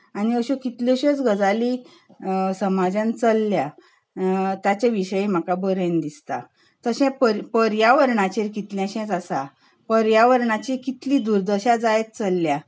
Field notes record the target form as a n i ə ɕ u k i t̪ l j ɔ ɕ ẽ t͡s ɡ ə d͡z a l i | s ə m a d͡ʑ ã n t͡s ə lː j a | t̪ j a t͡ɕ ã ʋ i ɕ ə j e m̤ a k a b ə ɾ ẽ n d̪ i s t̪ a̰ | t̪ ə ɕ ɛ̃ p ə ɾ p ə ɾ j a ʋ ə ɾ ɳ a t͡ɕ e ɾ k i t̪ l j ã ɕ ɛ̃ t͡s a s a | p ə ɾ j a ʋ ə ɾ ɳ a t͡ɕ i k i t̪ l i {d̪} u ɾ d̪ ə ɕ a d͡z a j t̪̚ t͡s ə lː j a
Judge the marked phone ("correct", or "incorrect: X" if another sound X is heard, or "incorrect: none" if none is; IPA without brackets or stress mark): correct